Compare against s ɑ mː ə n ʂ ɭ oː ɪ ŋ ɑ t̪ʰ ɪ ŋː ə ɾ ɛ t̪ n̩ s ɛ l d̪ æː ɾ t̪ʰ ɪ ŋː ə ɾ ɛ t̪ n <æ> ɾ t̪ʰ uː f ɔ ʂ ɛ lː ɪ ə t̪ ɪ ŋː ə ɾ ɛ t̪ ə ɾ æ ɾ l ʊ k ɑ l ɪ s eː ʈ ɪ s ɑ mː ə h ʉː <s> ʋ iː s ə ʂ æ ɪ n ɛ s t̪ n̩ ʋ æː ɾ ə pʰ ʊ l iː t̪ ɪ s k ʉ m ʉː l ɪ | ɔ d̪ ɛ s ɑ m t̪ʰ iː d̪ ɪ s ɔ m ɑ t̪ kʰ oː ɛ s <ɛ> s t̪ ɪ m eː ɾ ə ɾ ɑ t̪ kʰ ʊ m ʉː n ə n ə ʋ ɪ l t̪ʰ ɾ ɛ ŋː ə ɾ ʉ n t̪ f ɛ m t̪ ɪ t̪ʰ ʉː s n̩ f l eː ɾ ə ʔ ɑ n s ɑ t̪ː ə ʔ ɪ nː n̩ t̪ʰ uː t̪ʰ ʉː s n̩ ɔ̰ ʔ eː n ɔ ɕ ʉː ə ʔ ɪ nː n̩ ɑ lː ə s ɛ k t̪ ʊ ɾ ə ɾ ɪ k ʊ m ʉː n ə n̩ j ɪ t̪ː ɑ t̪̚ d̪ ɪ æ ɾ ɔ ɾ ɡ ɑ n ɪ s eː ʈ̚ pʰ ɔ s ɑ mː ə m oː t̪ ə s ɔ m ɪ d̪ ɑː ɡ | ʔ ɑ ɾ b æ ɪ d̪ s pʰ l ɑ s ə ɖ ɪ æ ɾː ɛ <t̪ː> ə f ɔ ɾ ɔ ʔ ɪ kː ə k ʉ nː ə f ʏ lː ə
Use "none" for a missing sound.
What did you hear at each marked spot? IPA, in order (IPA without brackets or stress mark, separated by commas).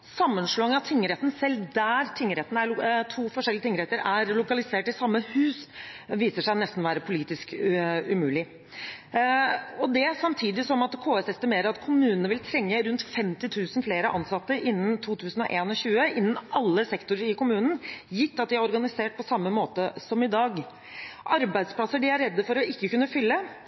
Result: æ, s, ɛ, d̪ː